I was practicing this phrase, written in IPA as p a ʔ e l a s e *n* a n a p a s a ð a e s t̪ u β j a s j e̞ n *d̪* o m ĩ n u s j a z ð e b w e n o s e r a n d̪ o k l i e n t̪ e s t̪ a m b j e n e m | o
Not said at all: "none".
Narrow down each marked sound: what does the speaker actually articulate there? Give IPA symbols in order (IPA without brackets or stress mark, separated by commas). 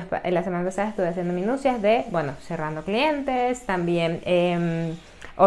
m, d̪